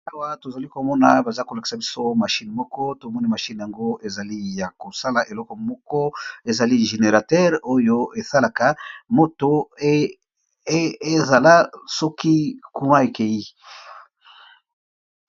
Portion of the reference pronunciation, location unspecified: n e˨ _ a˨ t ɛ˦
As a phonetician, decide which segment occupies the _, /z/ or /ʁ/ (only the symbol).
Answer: ʁ